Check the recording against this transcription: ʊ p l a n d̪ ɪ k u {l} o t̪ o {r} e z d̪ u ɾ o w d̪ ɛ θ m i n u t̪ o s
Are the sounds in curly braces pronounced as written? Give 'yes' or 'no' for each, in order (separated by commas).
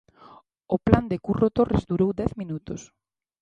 no, yes